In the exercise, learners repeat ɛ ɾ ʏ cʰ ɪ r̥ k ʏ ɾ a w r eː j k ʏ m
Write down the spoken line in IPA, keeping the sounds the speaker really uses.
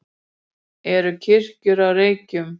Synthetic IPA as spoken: ɛ ɾ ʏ cʰ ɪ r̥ c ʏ ɾ a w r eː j c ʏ m